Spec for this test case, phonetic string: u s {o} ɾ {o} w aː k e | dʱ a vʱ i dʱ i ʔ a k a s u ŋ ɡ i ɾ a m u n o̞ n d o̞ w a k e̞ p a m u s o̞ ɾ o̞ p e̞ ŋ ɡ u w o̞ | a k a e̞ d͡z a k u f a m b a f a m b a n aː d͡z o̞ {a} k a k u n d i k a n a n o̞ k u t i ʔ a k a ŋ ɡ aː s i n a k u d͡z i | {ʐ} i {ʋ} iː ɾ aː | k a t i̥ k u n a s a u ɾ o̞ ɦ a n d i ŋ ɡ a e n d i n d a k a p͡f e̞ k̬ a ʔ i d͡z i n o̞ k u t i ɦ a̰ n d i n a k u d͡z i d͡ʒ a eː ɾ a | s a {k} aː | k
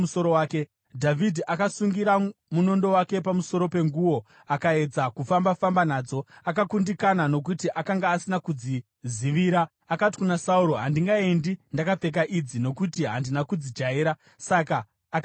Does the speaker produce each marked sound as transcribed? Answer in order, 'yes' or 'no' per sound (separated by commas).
yes, yes, yes, no, yes, yes